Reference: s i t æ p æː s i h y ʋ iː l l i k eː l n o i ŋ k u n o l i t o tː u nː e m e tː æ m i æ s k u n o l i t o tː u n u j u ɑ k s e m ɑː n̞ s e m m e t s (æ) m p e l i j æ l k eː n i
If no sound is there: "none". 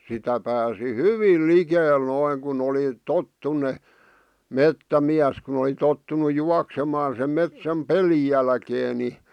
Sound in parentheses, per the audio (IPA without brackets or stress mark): æ